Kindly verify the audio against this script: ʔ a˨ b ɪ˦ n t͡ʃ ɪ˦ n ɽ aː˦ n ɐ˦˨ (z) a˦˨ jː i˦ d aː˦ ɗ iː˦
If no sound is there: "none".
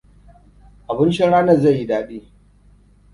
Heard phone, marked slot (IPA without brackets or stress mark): z